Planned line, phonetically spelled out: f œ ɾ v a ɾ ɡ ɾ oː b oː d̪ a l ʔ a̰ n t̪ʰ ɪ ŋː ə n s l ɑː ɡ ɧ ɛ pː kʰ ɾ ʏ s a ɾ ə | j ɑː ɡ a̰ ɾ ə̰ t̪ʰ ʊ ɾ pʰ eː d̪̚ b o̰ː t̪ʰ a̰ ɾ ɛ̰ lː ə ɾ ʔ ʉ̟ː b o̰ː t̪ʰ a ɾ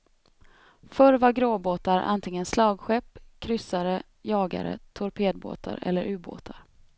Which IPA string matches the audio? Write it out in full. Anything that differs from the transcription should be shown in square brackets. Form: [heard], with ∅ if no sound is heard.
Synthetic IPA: f œ ɾ v a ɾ ɡ ɾ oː b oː [t̪] a [ɾ] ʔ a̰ n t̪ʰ ɪ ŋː ə n s l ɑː ɡ ɧ ɛ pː kʰ ɾ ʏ s a ɾ ə | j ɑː ɡ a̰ ɾ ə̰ t̪ʰ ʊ ɾ pʰ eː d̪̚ b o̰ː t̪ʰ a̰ ɾ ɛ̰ lː ə ɾ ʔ ʉ̟ː b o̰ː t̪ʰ a ɾ